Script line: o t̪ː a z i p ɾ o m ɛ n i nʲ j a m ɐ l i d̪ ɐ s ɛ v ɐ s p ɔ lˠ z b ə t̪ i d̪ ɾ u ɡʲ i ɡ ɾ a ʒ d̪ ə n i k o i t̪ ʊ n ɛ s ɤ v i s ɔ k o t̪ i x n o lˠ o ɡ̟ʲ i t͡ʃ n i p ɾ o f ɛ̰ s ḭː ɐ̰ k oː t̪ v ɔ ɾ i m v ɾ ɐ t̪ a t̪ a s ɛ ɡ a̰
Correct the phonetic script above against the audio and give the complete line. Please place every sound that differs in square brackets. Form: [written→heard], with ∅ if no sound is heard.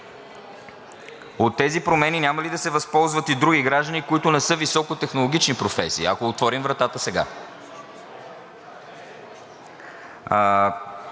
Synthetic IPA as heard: o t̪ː [a→ɛ] z i p ɾ o m ɛ n i nʲ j a m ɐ l i d̪ ɐ s ɛ v ɐ s p ɔ lˠ z [b→v] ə t̪ i d̪ ɾ u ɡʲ i ɡ ɾ a ʒ d̪ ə n i k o i t̪ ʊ n ɛ s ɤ v i s ɔ k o t̪ [i→ɛ] x n o lˠ o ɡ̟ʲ i t͡ʃ n i p ɾ o f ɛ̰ s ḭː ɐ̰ k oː t̪ v ɔ ɾ i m v ɾ ɐ t̪ a t̪ [a→ə] s ɛ ɡ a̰